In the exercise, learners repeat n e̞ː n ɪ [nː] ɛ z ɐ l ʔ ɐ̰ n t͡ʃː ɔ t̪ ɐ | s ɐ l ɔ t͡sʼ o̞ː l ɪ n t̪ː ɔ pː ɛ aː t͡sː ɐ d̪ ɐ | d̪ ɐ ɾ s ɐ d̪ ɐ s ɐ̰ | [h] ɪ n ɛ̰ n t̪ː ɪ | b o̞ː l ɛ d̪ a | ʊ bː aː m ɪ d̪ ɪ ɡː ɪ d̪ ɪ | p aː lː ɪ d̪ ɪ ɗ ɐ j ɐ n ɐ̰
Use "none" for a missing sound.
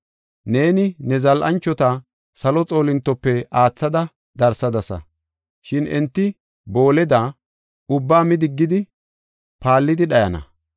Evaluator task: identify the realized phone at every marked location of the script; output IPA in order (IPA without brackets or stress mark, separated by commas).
n, ʃ